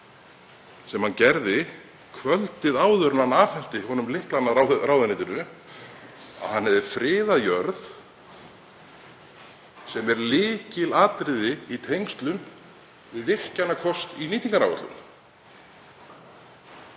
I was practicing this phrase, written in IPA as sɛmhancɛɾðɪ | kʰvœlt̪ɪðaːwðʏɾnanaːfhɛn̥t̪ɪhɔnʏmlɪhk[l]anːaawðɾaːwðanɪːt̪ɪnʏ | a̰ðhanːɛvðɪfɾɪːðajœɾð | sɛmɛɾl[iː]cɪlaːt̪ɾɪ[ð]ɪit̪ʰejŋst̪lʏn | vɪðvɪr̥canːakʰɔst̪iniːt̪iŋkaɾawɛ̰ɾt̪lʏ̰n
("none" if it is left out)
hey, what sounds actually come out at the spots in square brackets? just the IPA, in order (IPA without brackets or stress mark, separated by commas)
l, ɪː, ð